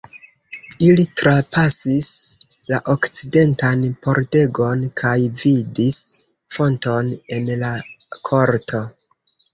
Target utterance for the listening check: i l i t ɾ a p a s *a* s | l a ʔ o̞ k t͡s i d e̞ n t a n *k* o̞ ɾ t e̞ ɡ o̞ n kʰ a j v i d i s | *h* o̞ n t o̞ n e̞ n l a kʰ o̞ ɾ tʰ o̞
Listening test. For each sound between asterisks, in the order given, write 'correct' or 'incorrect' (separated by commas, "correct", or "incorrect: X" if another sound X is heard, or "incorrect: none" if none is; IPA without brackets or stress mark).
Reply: incorrect: i, incorrect: p, incorrect: f